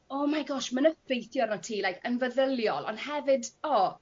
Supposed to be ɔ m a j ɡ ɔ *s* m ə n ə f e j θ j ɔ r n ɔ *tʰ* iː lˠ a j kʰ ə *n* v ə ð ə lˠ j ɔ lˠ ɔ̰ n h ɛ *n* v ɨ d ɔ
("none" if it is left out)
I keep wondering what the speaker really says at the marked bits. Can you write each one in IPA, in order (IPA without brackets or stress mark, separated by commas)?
ʃ, tʰ, n, none